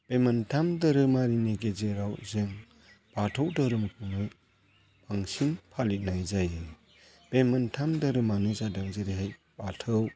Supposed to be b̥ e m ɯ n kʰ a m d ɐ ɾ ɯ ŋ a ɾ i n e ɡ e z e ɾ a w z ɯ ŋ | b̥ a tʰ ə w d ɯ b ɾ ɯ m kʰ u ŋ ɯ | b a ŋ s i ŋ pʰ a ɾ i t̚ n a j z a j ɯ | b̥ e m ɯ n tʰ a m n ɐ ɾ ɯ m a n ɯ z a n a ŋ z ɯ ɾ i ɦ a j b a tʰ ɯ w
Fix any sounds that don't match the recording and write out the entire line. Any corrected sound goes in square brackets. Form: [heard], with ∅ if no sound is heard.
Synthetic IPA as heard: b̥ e m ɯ n [tʰ] a m d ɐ ɾ ɯ [m] a ɾ i n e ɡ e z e ɾ a w z ɯ ŋ | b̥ a tʰ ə w d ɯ [∅] ɾ ɯ m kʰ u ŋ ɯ | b a ŋ s i [n] pʰ a [l] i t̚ n a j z a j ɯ | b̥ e m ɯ n tʰ a m [d] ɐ ɾ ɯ m a n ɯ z a [d] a ŋ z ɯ ɾ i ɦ a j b a tʰ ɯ w